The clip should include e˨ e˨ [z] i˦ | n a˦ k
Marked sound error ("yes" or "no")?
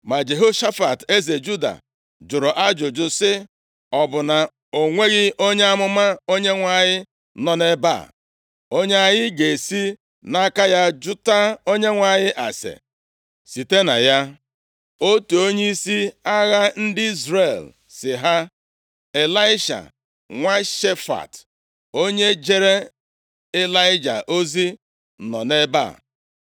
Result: yes